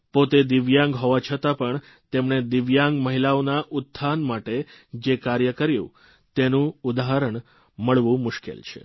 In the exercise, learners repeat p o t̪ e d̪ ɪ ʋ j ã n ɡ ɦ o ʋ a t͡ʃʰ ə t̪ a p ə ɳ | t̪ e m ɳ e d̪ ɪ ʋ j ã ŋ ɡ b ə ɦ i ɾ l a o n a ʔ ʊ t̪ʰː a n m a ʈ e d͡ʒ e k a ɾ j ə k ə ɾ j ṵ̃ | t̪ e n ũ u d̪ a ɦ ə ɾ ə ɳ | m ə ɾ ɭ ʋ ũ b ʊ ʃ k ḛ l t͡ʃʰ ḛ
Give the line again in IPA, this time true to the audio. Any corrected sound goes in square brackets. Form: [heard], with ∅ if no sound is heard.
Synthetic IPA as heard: p o t̪ e d̪ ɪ ʋ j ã [ŋ] ɡ ɦ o ʋ a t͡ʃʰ ə t̪ a p ə ɳ | t̪ e m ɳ e d̪ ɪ ʋ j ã ŋ ɡ [m] ə ɦ i [∅] l a o n a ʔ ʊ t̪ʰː a n m a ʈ e d͡ʒ e k a ɾ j ə k ə ɾ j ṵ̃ | t̪ e n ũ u d̪ a ɦ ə ɾ ə ɳ | m ə [∅] ɭ ʋ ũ [m] ʊ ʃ k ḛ l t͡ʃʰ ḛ

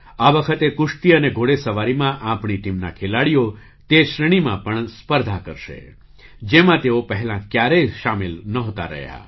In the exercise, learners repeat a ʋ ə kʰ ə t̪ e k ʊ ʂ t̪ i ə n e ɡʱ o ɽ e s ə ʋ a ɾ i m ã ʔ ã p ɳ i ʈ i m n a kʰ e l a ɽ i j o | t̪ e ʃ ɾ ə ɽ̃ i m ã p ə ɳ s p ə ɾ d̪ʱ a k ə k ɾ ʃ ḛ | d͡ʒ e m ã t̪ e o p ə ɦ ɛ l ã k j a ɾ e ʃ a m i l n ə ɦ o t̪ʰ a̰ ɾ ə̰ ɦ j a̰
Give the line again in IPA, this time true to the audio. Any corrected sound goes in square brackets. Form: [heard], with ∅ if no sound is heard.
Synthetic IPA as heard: a ʋ ə kʰ ə t̪ e k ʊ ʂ t̪ i ə n e ɡʱ o ɽ e s ə ʋ a ɾ i m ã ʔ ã p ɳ i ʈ i m n a kʰ e l a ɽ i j o | t̪ e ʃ ɾ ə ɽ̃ i m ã p ə ɳ s p ə ɾ d̪ʱ a k ə [∅] ɾ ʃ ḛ | d͡ʒ e m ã t̪ e o p ə ɦ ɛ l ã k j a ɾ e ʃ a m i l n ə ɦ o [t̪] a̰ ɾ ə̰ ɦ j a̰

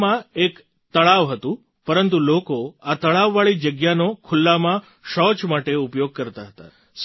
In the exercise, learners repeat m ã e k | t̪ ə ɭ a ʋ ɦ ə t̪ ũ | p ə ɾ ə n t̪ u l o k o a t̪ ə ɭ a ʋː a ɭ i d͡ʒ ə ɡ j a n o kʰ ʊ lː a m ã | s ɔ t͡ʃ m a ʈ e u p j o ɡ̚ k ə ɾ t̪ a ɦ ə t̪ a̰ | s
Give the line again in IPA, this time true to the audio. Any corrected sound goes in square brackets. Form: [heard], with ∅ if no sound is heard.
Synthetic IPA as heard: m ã e k | t̪ ə ɭ a ʋ ɦ ə t̪ ũ | p ə ɾ ə n t̪ u l o k o a t̪ ə ɭ a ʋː a ɭ i d͡ʒ ə ɡ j a n o kʰ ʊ lː a m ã | [ʃ] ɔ t͡ʃ m a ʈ e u p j o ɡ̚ k ə ɾ t̪ a ɦ ə t̪ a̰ | s

